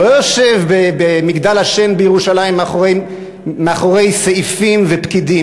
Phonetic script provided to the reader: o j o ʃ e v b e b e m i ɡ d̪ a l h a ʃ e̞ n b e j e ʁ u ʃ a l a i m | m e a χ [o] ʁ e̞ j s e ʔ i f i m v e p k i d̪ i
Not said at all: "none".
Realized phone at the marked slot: o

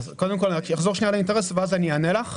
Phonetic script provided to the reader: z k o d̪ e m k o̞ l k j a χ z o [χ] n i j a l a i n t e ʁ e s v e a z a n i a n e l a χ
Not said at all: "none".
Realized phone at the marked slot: ʃ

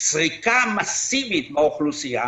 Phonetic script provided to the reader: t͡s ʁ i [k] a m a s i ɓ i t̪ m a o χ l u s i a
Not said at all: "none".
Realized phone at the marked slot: k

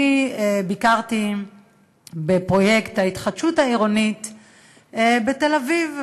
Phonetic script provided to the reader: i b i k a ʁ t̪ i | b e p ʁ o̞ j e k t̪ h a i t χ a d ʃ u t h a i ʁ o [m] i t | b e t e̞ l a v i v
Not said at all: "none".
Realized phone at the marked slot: n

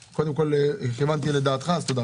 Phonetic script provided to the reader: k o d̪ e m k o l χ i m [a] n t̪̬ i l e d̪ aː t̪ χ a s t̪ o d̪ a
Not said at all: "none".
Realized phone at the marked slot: a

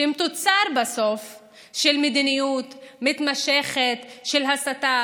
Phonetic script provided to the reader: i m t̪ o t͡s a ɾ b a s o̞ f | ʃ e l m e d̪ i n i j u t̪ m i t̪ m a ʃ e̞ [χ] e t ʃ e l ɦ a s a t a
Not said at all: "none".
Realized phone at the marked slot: χ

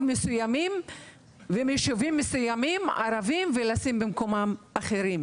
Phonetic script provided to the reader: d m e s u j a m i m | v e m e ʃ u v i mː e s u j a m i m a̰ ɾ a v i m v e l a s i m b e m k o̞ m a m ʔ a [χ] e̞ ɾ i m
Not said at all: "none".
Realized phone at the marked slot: χ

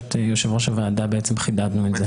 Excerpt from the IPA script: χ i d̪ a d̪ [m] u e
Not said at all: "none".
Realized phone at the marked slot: n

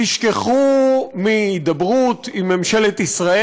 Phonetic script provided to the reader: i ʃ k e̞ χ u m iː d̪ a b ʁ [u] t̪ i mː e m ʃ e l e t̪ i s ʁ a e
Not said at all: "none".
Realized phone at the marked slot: u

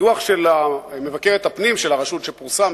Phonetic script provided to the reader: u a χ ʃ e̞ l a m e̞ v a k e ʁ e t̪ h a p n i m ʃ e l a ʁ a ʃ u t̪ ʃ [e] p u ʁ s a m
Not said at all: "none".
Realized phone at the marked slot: e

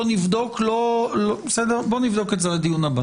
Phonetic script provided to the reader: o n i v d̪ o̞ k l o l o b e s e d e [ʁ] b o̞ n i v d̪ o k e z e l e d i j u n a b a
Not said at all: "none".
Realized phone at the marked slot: ʁ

